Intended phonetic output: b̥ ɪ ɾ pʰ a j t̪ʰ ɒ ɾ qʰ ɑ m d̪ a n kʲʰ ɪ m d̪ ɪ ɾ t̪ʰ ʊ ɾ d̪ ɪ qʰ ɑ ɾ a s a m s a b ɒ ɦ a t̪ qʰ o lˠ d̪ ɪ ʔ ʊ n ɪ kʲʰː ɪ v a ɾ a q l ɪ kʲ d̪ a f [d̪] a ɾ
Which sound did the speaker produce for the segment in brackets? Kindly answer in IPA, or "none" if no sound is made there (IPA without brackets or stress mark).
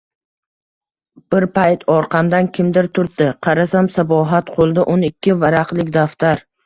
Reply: t̪